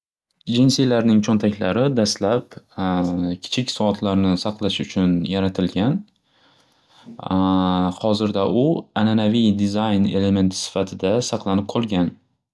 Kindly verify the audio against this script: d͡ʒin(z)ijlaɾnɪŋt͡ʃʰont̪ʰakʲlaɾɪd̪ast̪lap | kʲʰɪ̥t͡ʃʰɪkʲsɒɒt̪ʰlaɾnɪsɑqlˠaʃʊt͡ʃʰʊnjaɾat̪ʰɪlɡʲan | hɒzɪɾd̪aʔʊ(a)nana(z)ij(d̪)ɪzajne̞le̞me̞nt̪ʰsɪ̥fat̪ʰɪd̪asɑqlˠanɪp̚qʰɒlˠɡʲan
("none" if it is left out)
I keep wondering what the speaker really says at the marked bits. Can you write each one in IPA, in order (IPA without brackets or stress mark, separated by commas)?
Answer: s, a, v, d̪